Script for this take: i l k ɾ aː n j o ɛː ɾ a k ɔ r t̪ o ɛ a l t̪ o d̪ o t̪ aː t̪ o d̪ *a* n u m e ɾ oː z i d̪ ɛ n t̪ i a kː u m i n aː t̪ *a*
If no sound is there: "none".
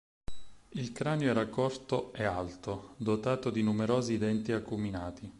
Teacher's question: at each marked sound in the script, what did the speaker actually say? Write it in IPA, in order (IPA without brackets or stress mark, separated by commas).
i, i